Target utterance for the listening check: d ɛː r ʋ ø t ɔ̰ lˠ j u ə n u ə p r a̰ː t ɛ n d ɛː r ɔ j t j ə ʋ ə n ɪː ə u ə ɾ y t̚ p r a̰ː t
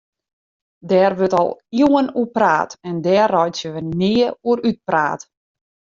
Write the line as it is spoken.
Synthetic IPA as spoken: d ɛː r ʋ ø t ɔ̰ lˠ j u ə n u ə p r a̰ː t ɛ n d ɛː r ɔ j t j ə ʋ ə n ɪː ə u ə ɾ y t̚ p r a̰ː t

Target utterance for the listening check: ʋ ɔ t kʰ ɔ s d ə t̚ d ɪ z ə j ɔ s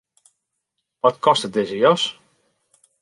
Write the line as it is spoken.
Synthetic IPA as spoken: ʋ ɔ t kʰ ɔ s t ə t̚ d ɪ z ə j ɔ s

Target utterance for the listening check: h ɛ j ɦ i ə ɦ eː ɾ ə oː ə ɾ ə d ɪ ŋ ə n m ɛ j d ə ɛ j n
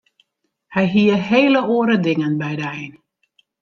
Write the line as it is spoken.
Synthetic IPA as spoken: h ɛ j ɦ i ə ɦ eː l ə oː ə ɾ ə d ɪ ŋ ə n b ɛ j d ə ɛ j n

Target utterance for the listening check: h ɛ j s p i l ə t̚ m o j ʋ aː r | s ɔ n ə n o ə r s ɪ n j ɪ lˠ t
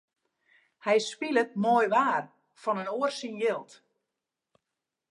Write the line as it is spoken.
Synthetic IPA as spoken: h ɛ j s p i l ə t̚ m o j ʋ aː r | f ɔ n ə n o ə r s i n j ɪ lˠ t

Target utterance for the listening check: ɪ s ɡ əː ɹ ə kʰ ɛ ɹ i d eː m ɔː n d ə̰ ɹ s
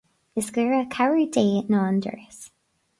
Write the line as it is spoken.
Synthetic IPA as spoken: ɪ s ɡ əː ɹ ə kʰ a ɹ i d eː n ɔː n d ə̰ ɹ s

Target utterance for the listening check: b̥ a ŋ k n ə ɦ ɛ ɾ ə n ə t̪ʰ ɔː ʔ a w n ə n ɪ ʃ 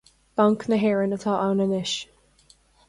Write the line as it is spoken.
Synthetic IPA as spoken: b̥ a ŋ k n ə ɦ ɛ ɹ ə n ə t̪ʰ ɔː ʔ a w n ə n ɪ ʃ

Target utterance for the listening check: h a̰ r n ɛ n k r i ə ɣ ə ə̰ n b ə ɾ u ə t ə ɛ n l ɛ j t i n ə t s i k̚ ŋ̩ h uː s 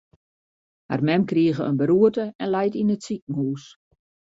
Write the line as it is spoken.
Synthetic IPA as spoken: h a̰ r m ɛ m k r i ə ɣ ə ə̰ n b ə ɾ u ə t ə ɛ n l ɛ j t i n ə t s i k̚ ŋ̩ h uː s

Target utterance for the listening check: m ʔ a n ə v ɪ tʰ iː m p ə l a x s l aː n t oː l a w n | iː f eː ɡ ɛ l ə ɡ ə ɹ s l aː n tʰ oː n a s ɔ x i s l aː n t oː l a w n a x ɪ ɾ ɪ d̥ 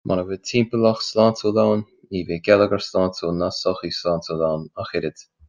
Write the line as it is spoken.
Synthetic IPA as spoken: m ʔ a n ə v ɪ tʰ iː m p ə l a x s l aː n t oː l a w n | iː v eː ɡ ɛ l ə ɡ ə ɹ s l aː n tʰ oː n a s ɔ x i s l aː n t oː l a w n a x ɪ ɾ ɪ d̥

